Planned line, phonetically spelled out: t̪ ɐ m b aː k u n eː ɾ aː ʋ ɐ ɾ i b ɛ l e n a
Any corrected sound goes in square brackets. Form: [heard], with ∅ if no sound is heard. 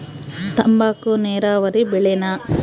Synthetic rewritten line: t̪ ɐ m b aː k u n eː ɾ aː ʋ ɐ ɾ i b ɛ [ɭ] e n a